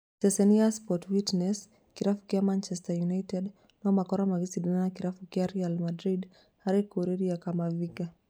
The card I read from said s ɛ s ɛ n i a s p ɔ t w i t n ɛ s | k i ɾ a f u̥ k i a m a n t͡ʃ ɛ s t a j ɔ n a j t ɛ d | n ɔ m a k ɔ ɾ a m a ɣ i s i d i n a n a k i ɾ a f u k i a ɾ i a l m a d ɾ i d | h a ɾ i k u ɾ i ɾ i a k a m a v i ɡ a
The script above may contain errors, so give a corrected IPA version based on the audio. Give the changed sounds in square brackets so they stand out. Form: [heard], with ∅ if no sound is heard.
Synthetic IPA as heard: s ɛ s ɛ n i a s p ɔ t w i t n ɛ s | k i ɾ a f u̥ k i a m a n t͡ʃ ɛ s t a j [u] n a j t ɛ d | n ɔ m a k ɔ ɾ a m a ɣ i s i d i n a n a k i ɾ a f u k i a ɾ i a l m a d ɾ i d | h a ɾ i k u ɾ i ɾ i a k a m a v i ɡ a